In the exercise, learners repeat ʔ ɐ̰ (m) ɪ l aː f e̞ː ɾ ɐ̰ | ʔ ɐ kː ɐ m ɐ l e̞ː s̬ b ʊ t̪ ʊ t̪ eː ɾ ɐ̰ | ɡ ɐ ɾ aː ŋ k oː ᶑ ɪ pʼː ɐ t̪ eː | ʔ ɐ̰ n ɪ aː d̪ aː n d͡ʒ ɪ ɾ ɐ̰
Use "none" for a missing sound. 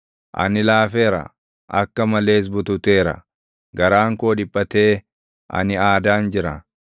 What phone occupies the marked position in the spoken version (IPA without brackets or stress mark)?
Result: n